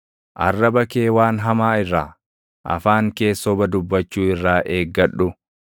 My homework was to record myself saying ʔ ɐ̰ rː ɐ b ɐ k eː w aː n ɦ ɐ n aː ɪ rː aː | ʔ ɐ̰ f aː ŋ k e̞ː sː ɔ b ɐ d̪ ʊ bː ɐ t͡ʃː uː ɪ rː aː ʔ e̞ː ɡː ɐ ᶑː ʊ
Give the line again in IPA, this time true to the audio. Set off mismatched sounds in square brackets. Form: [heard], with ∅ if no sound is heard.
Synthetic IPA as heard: ʔ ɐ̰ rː ɐ b ɐ k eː w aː n ɦ ɐ [m] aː ɪ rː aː | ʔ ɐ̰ f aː ŋ k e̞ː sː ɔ b ɐ d̪ ʊ bː ɐ t͡ʃː uː ɪ rː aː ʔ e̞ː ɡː ɐ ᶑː ʊ